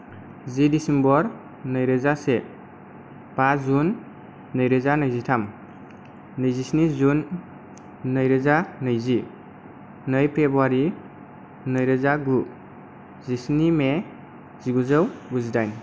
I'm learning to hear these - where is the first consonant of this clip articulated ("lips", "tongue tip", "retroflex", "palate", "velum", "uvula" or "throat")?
tongue tip